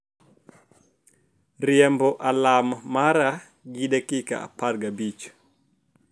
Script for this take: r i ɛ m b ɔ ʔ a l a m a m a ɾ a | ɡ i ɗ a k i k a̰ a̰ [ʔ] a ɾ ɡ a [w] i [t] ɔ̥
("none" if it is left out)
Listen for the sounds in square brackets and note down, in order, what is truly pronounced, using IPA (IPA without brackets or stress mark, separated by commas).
p, b, t͡ʃ